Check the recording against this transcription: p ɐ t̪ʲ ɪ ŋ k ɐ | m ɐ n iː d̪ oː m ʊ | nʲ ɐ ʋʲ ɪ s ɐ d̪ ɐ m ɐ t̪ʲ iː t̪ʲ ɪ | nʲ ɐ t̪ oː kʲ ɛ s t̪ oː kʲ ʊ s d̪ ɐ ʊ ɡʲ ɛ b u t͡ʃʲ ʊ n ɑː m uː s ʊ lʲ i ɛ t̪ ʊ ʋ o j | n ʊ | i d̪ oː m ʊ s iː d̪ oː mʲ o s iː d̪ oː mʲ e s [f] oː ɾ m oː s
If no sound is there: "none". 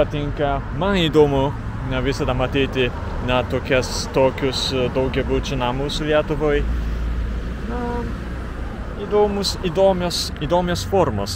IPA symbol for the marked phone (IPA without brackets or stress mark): f